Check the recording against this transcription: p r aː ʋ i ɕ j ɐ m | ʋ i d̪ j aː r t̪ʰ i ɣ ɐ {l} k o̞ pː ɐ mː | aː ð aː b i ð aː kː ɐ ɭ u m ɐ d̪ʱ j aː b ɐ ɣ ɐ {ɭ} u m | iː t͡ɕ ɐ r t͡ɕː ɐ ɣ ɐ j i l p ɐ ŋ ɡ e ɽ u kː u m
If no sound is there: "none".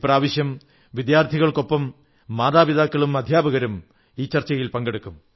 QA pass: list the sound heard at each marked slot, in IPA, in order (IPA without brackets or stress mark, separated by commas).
ɭ, ɾ